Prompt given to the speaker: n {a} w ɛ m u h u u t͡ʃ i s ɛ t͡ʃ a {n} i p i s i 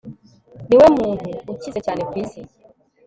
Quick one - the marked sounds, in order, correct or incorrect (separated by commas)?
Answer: incorrect, correct